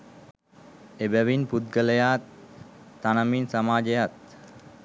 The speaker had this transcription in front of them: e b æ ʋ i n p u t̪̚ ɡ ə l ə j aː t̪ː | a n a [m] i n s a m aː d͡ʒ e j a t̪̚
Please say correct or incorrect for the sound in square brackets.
correct